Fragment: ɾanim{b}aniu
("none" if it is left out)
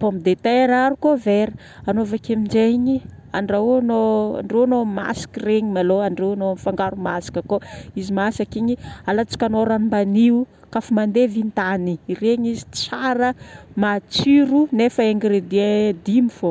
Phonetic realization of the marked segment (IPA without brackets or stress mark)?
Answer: b